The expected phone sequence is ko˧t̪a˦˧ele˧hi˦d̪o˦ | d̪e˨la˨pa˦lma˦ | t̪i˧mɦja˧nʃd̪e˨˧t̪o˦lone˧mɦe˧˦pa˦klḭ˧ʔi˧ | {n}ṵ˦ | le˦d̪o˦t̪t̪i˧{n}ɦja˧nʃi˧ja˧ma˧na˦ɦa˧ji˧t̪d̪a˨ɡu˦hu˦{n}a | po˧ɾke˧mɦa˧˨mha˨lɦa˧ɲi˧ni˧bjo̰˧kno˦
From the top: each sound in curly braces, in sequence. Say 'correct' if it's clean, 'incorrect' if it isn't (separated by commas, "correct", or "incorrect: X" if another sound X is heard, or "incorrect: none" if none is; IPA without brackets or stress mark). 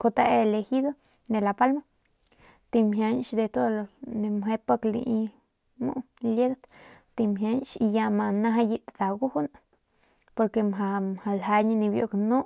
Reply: incorrect: m, incorrect: m, correct